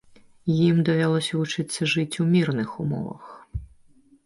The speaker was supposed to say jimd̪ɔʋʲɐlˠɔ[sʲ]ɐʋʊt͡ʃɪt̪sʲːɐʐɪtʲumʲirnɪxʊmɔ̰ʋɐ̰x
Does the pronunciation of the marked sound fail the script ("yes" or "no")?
no